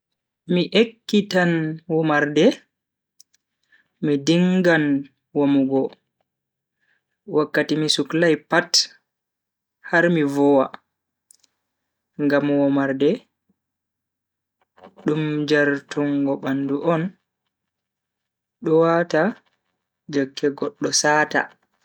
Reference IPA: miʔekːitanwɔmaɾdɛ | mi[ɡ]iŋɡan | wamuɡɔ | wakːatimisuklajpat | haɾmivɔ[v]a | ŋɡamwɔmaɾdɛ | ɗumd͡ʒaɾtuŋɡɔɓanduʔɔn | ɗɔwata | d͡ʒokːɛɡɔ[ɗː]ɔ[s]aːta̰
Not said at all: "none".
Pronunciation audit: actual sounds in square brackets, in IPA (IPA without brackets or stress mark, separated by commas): d, w, ɗː, s